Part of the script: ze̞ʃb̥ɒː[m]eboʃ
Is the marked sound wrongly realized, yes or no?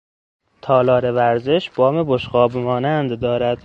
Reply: no